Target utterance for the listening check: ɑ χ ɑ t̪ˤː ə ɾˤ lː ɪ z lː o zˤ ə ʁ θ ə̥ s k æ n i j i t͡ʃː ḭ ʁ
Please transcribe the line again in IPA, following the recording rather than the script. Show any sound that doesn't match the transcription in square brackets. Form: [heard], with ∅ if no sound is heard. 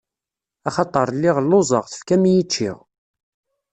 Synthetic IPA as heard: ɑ χ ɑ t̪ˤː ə ɾˤ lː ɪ [ʁ] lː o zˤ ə ʁ θ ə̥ [f] k æ [m] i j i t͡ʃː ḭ ʁ